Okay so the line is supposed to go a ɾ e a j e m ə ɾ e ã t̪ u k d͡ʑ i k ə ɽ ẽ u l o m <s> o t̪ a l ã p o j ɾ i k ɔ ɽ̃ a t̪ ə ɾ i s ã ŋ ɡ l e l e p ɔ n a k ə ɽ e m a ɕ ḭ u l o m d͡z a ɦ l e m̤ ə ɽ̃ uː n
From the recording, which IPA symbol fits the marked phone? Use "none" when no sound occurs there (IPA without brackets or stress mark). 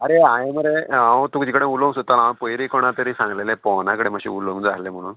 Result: s